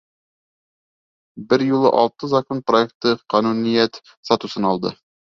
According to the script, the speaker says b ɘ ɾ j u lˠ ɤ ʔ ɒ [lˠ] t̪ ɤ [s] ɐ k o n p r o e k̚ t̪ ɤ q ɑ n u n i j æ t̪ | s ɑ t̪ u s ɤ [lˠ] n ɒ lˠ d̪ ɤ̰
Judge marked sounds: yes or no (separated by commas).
yes, no, no